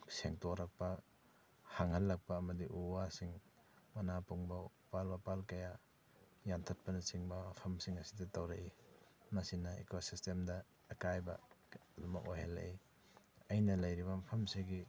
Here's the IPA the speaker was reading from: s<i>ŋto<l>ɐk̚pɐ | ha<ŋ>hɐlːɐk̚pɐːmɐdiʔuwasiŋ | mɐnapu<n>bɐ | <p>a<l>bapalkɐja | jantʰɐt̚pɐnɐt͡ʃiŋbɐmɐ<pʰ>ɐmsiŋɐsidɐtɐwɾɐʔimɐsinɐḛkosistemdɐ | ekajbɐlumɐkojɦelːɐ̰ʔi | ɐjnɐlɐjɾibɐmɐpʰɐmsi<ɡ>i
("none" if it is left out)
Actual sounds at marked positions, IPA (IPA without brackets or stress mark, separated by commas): e, ɾ, ŋ, ŋ, p, l, pʰ, ɡ